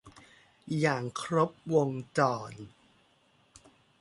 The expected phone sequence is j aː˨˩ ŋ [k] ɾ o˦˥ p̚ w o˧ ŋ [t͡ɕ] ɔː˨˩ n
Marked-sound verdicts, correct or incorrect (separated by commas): incorrect, correct